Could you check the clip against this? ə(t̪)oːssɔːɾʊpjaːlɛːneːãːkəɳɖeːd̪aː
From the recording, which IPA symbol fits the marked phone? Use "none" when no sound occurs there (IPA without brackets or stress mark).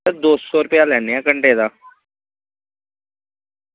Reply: d̪